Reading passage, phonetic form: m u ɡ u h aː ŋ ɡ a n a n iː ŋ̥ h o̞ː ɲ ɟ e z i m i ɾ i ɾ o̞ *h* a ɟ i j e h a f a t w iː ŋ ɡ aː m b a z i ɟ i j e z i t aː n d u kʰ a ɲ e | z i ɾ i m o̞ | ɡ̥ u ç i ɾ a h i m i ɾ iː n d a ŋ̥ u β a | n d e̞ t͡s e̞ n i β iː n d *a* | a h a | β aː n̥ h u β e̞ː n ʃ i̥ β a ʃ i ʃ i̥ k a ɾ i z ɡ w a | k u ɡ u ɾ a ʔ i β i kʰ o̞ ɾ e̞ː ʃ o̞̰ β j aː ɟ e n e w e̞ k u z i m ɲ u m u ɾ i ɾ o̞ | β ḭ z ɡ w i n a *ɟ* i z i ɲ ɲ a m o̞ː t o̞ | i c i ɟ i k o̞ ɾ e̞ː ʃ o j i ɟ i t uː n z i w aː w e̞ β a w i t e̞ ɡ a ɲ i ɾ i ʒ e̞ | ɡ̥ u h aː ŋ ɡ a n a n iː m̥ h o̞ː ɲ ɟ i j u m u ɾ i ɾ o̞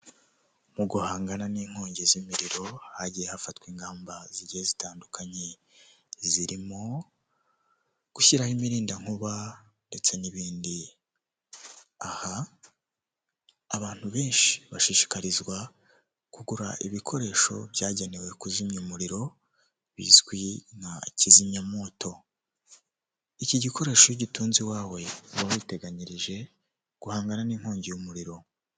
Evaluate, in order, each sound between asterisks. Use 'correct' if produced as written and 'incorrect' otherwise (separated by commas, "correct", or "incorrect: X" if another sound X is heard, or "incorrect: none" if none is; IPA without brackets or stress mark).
correct, incorrect: i, incorrect: c